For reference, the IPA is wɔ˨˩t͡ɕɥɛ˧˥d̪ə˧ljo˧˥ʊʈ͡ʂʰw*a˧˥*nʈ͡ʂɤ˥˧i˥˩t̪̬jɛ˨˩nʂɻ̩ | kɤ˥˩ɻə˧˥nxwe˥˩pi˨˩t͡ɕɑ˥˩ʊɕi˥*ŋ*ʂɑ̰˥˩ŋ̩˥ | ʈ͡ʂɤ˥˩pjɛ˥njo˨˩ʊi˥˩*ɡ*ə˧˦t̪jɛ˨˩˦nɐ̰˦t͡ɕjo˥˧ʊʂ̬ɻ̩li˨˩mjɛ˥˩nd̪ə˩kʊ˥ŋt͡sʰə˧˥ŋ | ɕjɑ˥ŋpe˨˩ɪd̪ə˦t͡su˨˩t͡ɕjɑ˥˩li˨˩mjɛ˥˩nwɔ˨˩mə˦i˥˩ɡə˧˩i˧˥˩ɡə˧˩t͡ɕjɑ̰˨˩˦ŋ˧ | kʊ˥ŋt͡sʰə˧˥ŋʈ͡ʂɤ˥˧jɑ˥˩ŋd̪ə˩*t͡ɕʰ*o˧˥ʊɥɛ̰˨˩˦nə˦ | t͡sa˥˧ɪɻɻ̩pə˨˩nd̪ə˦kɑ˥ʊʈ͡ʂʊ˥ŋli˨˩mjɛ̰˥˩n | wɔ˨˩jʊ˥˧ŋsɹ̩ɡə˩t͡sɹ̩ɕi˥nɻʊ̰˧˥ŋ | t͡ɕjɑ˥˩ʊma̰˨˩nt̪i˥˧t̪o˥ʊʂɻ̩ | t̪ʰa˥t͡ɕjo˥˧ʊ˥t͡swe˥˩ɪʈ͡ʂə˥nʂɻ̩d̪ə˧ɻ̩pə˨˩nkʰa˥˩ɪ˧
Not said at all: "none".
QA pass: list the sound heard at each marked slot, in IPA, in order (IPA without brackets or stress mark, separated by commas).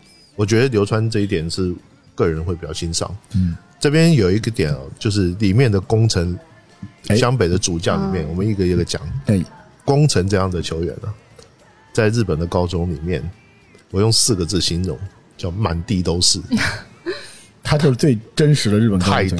a˥, n, ɡ, t͡ɕʰ